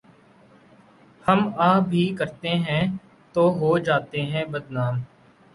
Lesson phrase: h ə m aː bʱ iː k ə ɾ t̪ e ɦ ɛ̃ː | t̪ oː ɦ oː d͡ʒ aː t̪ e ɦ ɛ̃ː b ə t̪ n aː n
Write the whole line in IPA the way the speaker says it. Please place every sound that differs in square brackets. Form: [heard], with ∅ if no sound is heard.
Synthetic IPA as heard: h ə m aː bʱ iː k ə ɾ t̪ e ɦ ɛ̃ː | t̪ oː ɦ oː d͡ʒ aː t̪ e ɦ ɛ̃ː b ə [d̪] n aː [m]